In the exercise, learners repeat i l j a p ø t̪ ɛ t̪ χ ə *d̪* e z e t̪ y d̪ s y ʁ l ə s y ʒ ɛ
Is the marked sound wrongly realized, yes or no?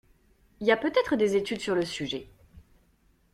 no